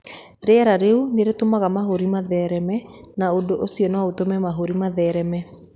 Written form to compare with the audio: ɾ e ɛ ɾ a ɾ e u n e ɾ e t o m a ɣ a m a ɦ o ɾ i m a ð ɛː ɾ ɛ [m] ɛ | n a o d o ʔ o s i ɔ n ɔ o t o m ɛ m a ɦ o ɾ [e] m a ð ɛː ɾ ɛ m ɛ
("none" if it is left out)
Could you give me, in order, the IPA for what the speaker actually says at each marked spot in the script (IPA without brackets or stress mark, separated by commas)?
m, i